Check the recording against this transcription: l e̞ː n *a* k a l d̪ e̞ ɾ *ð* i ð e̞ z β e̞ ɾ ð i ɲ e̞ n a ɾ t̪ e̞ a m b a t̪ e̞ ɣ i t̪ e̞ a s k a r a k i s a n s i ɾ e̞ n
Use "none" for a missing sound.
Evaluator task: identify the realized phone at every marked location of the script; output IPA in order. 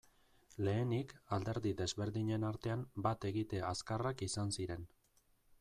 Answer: i, ð

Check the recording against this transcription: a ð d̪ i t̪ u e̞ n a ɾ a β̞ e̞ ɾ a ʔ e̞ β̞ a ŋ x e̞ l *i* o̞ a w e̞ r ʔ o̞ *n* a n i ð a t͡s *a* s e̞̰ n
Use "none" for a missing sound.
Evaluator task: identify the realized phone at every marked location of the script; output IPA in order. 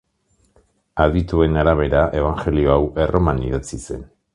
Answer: i, m, i

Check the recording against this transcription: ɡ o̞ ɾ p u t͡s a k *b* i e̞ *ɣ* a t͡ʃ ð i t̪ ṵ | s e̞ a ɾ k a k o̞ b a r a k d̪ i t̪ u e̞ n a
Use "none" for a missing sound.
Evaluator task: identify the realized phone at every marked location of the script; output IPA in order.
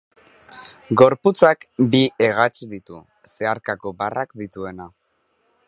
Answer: b, ɣ

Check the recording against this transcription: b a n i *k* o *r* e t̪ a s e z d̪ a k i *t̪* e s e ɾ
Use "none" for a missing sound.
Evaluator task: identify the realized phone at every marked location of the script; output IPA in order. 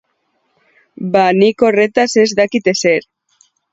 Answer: k, r, t̪

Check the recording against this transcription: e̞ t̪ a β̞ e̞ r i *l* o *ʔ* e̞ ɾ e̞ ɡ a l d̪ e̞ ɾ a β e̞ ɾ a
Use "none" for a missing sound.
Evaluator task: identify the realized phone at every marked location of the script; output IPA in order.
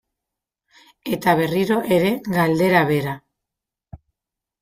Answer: ɾ, ʔ

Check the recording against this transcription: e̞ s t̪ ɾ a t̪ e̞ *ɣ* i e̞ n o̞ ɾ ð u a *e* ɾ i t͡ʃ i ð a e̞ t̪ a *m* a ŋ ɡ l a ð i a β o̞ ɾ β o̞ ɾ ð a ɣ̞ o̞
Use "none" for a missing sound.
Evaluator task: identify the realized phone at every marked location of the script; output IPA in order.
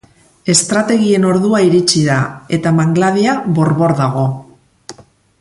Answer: ɣ, i, m

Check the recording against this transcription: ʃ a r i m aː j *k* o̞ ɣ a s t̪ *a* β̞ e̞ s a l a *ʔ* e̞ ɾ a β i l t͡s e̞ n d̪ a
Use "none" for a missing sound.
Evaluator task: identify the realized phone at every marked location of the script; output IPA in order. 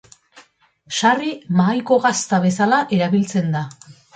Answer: k, a, ʔ

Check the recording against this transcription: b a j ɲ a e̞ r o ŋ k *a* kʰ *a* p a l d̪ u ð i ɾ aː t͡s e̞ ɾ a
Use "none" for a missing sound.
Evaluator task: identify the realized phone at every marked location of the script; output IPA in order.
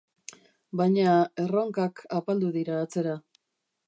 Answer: a, a

